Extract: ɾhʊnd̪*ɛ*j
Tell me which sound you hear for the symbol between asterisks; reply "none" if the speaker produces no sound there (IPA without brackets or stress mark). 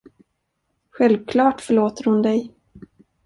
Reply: ɛ